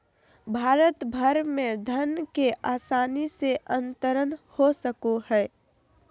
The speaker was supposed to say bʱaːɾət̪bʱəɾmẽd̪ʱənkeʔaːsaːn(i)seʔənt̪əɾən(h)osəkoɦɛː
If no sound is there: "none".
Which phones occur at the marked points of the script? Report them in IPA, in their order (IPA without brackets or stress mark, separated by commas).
i, h